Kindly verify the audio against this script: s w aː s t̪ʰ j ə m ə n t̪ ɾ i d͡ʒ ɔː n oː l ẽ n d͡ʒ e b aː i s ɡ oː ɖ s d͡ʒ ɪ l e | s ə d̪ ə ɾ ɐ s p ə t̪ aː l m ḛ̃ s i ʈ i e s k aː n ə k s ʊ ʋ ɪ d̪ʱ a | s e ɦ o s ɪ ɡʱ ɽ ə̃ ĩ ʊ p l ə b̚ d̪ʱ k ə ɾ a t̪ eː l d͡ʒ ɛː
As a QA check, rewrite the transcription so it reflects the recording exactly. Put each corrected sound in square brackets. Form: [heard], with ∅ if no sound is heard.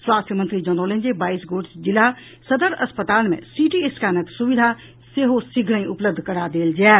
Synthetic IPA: s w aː s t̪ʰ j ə m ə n t̪ ɾ i d͡ʒ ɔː n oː l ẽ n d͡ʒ e b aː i s ɡ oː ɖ s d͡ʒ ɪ l [a] | s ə d̪ ə ɾ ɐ s p ə t̪ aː l m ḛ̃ s i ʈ i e s k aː n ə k s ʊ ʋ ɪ d̪ʱ a | s e ɦ o s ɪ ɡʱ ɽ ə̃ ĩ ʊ p l ə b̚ d̪ʱ k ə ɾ a [d̪] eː l d͡ʒ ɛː